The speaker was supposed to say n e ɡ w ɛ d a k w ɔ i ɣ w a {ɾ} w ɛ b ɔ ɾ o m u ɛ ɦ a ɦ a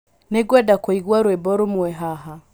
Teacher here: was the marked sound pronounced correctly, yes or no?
yes